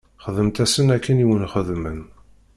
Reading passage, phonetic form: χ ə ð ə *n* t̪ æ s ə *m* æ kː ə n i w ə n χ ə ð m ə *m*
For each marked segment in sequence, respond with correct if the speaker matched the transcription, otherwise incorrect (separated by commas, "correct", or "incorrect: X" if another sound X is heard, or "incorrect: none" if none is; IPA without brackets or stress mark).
incorrect: m, incorrect: n, incorrect: n